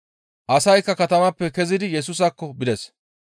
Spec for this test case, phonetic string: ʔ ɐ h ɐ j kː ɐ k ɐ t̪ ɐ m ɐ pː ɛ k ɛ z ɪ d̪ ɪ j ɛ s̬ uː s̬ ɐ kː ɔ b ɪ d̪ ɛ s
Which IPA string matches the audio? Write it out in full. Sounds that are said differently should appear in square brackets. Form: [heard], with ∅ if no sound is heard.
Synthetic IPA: ʔ ɐ [s] ɐ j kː ɐ k ɐ t̪ ɐ m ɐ pː ɛ k ɛ z ɪ d̪ ɪ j ɛ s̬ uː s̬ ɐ kː ɔ b ɪ d̪ ɛ s

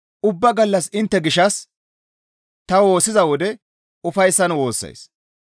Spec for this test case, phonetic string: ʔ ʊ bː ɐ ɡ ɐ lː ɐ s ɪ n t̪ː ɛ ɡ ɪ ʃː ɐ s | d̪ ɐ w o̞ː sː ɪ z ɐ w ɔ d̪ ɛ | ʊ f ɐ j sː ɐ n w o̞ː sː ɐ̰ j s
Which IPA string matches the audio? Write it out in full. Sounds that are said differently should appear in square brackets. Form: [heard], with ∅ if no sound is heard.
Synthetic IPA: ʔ ʊ bː ɐ ɡ ɐ lː ɐ s ɪ n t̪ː ɛ ɡ ɪ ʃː ɐ s | [t̪] ɐ w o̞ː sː ɪ z ɐ w ɔ d̪ ɛ | ʊ f ɐ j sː ɐ n w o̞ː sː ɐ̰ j s

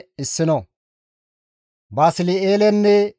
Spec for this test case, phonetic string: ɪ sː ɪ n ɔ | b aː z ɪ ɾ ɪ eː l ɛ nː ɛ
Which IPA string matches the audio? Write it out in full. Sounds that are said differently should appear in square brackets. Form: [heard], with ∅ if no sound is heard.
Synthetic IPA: ɪ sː ɪ n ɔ | b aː [s] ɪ [l] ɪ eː l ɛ nː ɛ

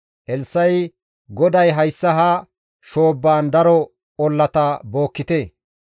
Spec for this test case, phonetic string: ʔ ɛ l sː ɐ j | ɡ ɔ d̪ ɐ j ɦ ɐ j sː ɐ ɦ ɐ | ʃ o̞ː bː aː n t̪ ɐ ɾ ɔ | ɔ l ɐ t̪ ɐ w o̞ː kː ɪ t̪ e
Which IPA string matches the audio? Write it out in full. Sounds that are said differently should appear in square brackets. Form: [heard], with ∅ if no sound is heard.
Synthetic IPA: ʔ ɛ l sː ɐ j | ɡ ɔ d̪ ɐ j ɦ ɐ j sː ɐ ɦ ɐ | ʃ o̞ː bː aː n [d̪] ɐ ɾ ɔ | ɔ [lː] ɐ t̪ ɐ [b] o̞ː kː ɪ t̪ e

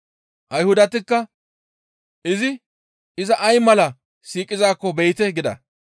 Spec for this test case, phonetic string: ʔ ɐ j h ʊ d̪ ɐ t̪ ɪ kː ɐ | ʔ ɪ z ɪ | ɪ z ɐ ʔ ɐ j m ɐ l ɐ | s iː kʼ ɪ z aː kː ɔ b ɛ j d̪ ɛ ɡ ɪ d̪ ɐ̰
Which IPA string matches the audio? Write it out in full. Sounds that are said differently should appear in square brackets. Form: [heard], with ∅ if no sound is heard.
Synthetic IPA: ʔ ɐ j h ʊ d̪ ɐ t̪ ɪ kː ɐ | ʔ ɪ z ɪ | ɪ z ɐ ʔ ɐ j m ɐ l ɐ | s iː kʼ ɪ z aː kː ɔ b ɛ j [t̪] ɛ ɡ ɪ d̪ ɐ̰

